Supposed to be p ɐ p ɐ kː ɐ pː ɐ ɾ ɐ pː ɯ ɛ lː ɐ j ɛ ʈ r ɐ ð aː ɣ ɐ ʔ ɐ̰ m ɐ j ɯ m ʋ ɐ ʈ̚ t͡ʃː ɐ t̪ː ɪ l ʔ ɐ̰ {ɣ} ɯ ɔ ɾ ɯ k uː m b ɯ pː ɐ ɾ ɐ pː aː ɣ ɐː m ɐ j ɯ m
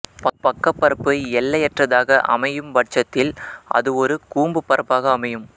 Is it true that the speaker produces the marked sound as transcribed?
no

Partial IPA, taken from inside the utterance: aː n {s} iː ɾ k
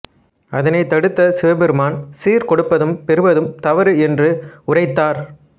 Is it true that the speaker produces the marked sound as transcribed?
yes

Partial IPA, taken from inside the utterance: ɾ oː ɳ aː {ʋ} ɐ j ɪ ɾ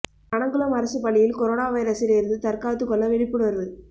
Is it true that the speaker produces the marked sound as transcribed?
yes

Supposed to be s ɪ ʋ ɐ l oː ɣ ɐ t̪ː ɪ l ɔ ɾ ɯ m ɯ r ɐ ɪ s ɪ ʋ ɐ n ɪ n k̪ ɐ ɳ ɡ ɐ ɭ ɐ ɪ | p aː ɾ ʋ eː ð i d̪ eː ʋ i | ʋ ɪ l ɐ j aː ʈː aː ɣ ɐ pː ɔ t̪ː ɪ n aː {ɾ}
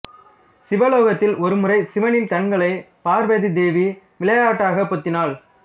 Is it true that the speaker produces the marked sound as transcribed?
no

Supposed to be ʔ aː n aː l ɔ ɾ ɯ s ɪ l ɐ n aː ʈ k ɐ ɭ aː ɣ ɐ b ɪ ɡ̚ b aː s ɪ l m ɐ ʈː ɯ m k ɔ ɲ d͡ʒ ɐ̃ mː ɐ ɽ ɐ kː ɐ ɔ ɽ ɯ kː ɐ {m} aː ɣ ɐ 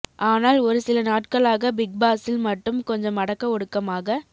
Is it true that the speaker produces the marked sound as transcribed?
yes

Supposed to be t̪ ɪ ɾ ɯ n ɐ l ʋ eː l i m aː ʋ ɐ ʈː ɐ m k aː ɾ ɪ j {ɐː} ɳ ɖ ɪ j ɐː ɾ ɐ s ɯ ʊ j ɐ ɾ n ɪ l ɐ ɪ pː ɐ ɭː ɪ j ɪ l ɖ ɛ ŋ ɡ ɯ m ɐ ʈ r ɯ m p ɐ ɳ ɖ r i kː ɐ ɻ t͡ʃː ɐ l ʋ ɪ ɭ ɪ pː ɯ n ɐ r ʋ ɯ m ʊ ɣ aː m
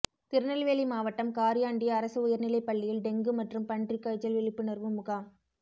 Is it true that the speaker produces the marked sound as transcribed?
no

